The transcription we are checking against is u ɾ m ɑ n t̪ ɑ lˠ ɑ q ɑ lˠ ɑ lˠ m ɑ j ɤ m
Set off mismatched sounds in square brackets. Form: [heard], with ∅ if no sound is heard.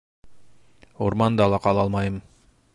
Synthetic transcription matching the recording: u ɾ m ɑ n [d̪] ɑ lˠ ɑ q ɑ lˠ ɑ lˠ m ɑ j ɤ m